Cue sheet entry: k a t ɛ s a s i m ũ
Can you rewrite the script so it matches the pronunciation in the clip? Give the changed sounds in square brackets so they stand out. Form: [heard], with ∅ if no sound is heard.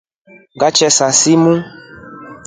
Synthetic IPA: [ɡ] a [t͡ʃ] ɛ s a s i m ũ